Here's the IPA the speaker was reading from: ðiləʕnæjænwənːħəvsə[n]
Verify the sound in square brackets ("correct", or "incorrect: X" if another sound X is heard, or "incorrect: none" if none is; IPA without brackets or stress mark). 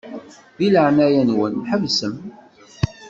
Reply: incorrect: m